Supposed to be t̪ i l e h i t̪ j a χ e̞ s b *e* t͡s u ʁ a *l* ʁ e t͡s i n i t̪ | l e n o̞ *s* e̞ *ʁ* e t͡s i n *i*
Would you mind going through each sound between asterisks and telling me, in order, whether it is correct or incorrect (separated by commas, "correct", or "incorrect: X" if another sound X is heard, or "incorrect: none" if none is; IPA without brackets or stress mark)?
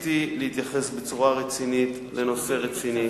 correct, incorrect: none, correct, correct, correct